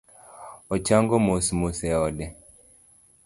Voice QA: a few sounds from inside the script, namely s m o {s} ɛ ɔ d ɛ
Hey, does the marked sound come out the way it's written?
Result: yes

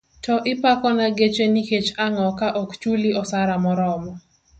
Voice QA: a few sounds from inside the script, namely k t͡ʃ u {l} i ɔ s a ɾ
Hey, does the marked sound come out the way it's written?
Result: yes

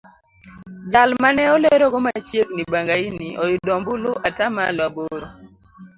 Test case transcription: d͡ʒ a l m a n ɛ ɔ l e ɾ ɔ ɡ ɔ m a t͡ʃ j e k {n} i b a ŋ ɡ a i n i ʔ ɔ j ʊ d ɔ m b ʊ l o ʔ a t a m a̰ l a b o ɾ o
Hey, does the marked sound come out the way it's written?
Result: yes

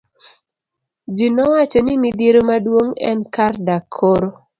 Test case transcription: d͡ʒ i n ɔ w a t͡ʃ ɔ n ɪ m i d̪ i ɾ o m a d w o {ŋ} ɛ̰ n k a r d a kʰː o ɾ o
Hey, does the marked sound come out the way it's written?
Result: yes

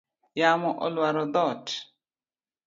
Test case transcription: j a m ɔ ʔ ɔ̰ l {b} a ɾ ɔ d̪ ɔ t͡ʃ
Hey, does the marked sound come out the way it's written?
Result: no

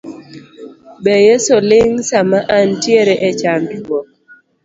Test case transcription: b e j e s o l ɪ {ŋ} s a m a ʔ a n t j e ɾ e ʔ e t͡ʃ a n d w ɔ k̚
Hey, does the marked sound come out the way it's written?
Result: yes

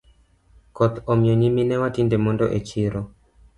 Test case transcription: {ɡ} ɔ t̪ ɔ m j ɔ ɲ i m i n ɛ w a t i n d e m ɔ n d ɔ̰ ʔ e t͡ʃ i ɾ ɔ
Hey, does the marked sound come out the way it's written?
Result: no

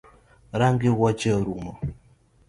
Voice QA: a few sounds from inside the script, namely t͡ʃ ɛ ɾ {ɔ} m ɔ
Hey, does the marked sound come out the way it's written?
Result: no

